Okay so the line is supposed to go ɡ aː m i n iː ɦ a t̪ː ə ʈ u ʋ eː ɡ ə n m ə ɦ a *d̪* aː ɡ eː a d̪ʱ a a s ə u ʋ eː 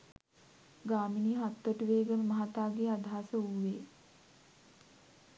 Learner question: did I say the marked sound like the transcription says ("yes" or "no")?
no